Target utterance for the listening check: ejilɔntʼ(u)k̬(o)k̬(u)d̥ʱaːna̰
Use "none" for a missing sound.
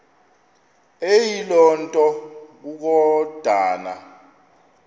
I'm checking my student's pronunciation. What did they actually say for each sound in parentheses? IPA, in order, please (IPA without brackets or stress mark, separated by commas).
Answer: ɔ, u, ɔ